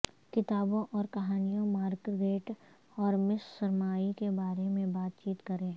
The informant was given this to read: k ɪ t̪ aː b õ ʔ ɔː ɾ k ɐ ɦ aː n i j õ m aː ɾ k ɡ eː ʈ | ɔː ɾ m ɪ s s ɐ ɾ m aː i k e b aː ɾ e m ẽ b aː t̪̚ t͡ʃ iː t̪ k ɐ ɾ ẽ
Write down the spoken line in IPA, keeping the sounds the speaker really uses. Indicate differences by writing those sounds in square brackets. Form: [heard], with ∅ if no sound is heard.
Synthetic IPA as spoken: k ɪ t̪ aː b õ ʔ ɔː ɾ k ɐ ɦ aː n i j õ m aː ɾ k ɡ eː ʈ | ɔː ɾ m ɪ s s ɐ ɾ m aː i k e b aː ɾ e m ẽ b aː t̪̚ t͡ʃ iː t̪ k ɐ ɾ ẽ